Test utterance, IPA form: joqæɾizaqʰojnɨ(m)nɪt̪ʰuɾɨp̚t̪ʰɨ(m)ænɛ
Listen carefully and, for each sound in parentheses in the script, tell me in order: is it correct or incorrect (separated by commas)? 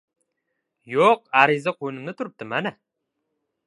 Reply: correct, correct